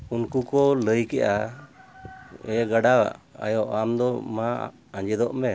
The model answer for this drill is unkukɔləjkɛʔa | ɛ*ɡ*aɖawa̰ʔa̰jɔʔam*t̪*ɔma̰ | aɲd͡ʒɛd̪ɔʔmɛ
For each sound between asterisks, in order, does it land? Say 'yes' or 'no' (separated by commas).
yes, no